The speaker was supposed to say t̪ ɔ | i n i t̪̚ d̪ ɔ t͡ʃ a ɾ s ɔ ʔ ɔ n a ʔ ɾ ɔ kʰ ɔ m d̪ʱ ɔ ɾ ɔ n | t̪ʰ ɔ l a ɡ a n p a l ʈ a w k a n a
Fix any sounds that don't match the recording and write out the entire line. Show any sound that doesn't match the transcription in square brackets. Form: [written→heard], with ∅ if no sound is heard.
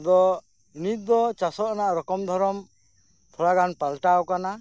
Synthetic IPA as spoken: [t̪→d̪] ɔ | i n i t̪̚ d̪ ɔ t͡ʃ a [ɾ→∅] s ɔ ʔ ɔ n a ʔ ɾ ɔ [kʰ→k] ɔ m d̪ʱ ɔ ɾ ɔ [n→m] | t̪ʰ ɔ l a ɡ a n p a l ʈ a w k a n a